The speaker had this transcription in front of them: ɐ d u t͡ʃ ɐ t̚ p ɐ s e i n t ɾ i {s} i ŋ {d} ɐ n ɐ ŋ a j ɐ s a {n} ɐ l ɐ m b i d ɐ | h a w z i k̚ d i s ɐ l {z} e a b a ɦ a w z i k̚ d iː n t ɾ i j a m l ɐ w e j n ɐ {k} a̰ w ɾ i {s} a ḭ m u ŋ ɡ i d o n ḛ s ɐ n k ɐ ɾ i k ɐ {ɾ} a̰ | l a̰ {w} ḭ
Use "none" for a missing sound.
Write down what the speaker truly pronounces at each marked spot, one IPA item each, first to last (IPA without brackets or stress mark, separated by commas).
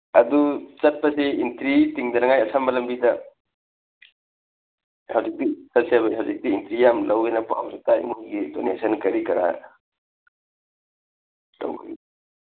t, d, m, s, p, t, ɾ, w